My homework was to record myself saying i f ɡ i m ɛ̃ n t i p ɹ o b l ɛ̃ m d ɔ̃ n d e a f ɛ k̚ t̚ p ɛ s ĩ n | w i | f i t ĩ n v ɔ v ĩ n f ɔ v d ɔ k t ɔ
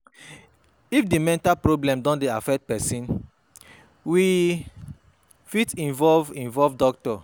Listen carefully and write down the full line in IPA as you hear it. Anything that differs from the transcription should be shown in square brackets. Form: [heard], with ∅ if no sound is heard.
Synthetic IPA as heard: i f [d] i m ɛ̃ n t [a] p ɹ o b l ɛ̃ m d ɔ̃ n d e a f ɛ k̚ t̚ p ɛ s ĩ n | w i | f i t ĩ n v ɔ v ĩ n [v] ɔ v d ɔ k t ɔ